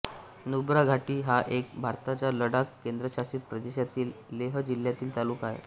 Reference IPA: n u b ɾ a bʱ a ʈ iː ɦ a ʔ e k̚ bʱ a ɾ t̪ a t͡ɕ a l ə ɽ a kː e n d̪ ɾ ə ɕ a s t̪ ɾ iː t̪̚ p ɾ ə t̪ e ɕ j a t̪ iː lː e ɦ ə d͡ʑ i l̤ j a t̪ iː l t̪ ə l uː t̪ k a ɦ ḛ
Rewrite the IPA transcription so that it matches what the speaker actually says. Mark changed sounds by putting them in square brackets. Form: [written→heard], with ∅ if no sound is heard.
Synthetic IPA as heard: n u b ɾ a [bʱ→ɡʱ] a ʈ iː ɦ a ʔ e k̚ bʱ a ɾ t̪ a t͡ɕ a l ə ɽ a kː e n d̪ ɾ ə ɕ a s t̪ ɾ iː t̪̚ p ɾ ə [t̪→d̪] e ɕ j a t̪ iː lː e ɦ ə d͡ʑ i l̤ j a t̪ iː l t̪ [ə→a] l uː [t̪→∅] k a ɦ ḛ